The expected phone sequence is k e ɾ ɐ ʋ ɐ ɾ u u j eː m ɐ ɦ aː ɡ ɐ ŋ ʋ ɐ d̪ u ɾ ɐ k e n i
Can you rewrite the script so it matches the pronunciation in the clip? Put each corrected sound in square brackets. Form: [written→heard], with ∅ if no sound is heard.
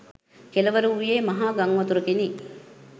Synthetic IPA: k e [ɾ→l] ɐ ʋ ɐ ɾ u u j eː m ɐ ɦ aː ɡ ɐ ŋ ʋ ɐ [d̪→t̪] u ɾ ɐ k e n i